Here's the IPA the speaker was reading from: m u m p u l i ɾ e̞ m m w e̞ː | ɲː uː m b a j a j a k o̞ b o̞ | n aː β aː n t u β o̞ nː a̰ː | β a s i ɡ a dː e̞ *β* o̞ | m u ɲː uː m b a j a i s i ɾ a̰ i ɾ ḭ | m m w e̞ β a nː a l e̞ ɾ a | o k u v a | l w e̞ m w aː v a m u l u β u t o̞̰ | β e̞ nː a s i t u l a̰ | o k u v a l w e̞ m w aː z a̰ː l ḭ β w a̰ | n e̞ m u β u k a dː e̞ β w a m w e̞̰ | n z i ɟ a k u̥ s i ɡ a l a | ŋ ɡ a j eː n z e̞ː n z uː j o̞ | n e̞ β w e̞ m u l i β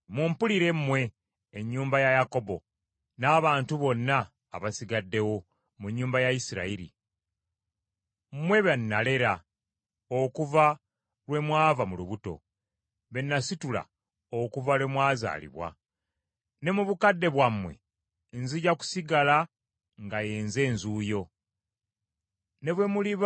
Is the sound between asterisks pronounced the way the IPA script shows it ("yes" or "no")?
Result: no